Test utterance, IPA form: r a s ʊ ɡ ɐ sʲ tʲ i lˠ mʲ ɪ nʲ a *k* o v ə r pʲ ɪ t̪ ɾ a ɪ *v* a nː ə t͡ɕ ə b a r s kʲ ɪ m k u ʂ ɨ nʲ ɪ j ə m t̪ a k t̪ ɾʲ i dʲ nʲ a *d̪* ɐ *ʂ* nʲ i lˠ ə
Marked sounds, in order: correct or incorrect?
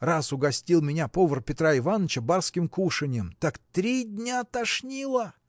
incorrect: p, correct, incorrect: t̪, correct

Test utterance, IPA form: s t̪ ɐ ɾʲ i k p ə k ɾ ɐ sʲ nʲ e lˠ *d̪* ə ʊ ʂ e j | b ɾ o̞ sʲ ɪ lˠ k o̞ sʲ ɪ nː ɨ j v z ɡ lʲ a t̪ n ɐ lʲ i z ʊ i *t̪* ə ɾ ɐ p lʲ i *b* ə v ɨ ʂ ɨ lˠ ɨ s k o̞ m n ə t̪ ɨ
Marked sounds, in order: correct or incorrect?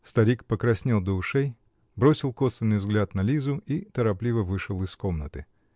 correct, correct, incorrect: v

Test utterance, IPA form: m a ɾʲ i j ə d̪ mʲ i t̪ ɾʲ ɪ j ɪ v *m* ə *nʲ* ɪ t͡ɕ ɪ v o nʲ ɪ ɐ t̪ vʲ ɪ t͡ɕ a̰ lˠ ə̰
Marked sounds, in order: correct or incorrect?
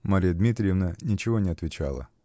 incorrect: n, correct

